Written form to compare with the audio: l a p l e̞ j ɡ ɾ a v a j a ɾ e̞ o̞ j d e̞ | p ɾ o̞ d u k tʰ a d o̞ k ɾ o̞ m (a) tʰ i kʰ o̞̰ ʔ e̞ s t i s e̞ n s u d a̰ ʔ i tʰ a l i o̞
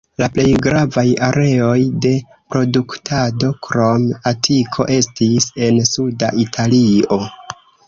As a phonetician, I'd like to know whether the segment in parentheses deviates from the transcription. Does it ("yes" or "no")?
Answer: no